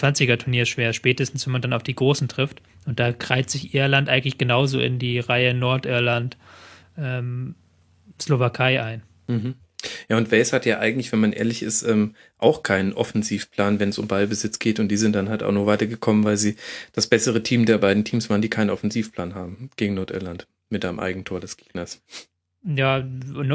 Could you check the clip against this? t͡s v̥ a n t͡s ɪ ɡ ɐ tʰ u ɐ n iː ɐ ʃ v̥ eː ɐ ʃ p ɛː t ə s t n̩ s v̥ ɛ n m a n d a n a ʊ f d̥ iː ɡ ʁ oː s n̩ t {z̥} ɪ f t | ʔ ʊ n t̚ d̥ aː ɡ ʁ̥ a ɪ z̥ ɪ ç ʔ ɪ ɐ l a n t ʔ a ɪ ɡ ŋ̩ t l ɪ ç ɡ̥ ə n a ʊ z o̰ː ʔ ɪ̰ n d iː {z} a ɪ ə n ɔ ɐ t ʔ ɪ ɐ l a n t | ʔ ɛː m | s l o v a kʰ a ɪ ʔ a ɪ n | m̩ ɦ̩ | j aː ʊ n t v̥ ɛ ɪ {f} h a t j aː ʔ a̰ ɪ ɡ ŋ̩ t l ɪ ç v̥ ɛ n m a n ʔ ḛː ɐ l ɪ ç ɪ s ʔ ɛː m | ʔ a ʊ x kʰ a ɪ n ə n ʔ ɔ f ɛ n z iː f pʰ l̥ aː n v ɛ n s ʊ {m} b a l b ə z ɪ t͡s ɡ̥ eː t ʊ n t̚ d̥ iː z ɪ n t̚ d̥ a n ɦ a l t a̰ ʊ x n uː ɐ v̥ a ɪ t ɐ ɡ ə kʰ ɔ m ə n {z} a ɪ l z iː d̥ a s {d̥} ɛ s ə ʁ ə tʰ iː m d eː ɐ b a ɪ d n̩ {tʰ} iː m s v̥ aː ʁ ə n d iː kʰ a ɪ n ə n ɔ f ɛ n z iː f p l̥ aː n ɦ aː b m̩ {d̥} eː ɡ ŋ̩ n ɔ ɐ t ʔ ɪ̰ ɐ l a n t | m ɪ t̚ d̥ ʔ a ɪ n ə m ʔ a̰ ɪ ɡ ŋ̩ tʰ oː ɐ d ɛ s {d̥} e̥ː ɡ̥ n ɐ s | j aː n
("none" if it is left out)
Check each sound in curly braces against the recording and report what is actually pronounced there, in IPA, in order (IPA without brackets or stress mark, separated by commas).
ʁ̥, ʁ, s, m, v, b̥, tʰ, ɡ̥, ɡ̥